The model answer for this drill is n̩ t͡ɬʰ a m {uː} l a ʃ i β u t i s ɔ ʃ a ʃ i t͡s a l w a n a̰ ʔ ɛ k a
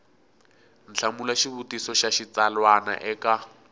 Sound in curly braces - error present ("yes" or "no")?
yes